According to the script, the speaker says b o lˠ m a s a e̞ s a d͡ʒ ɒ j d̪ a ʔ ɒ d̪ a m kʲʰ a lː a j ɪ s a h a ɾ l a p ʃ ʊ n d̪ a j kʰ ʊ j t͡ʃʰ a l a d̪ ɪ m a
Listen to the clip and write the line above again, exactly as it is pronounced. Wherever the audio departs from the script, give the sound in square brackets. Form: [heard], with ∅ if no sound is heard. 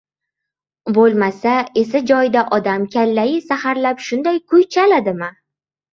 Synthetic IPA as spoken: b o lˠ m a s a e̞ s a d͡ʒ ɒ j d̪ a ʔ ɒ d̪ a m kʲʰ a lː a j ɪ s a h a ɾ l a p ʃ ʊ n d̪ a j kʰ ʊ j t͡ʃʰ a l a d̪ ɪ m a